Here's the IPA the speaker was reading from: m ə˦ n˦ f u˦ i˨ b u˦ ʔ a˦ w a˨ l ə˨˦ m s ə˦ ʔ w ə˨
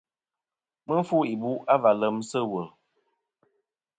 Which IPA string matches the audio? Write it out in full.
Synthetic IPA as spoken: m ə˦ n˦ f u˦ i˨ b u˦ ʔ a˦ v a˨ l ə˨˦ m s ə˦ w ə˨